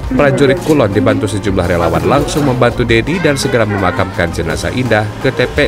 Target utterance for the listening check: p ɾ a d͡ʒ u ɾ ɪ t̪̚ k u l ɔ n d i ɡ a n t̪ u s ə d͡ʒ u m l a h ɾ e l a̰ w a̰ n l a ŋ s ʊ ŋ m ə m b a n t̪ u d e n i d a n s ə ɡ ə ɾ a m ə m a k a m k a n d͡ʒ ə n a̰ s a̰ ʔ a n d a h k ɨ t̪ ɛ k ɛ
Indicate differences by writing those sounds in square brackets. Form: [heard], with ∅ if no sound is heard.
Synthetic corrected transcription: p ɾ a d͡ʒ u ɾ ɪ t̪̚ k u l ɔ n d i [b] a n t̪ u s ə d͡ʒ u m l a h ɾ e l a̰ w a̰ n l a ŋ s ʊ ŋ m ə m b a n t̪ u d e [d] i d a n s ə ɡ ə ɾ a m ə m a k a m k a n d͡ʒ ə n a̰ s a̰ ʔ [i] n d a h k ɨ t̪ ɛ [p] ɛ